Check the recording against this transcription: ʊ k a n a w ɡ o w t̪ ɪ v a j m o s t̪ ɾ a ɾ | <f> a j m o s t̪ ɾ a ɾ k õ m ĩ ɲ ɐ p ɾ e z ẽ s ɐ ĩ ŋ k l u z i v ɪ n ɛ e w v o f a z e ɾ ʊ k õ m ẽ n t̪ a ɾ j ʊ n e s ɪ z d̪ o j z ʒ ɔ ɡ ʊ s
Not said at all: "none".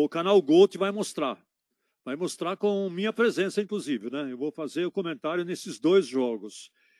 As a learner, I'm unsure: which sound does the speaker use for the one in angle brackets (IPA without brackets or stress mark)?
v